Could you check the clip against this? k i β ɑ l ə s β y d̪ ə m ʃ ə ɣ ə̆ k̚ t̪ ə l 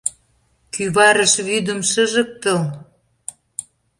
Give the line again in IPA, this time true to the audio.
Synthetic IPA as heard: k y β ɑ ɾ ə ʃ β y d̪ ə m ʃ ə ʒ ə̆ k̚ t̪ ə l